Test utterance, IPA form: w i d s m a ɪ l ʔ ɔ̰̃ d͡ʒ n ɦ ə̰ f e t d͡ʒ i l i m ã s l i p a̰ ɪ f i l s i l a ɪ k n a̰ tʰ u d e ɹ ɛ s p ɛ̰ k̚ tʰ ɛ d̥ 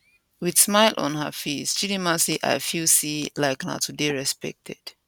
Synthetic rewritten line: w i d s m a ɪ l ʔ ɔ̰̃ n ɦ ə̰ f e s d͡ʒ i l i m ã s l i ʔ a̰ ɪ f i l s i l a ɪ k n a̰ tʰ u d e ɹ ɛ s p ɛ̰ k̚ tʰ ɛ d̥